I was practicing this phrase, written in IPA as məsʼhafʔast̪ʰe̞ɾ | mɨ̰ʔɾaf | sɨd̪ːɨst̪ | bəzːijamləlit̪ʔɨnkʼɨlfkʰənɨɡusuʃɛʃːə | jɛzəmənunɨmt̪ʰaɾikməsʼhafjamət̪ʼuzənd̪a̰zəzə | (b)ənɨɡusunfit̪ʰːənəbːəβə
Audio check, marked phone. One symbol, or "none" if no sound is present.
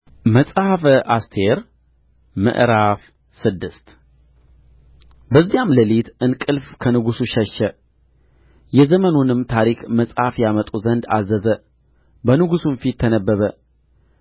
b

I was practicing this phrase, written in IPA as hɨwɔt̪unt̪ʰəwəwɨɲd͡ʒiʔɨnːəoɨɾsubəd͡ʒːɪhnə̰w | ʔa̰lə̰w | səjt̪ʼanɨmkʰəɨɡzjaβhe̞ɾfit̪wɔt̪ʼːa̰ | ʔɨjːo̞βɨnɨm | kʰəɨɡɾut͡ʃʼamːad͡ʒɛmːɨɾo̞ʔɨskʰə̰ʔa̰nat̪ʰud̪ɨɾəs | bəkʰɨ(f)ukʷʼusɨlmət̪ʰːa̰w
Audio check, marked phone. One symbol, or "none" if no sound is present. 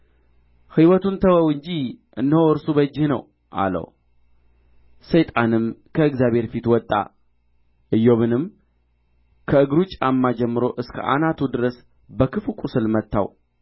f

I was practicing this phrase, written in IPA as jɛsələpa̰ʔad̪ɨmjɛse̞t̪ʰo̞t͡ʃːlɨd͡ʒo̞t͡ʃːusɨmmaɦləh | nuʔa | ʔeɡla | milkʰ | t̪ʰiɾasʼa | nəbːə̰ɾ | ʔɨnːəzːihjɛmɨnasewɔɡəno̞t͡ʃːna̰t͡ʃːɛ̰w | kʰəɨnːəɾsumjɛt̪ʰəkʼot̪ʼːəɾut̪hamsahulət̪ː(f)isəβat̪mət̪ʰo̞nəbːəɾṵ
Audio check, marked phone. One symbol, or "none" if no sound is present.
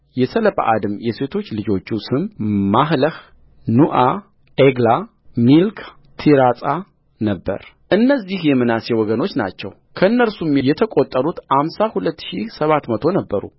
ʃ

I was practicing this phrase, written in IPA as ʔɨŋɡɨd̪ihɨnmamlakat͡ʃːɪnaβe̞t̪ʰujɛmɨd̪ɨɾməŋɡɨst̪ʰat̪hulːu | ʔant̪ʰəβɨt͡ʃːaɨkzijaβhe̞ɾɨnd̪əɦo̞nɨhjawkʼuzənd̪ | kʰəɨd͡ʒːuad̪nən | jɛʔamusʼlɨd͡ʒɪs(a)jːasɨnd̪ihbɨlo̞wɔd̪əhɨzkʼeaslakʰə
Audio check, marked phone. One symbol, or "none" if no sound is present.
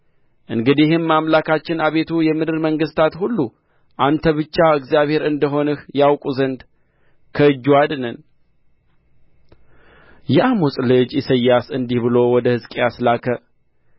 ə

